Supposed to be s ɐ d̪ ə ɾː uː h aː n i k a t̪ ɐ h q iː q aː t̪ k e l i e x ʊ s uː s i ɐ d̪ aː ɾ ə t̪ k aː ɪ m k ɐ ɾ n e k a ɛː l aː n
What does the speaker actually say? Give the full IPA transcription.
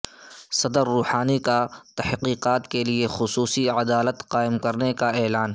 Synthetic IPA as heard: s ɐ d̪ ə ɾː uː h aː n i k a t̪ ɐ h q iː q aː t̪ k e l i e x ʊ s uː s i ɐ d̪ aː l ə t̪ q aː ɪ m k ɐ ɾ n e k a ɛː l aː n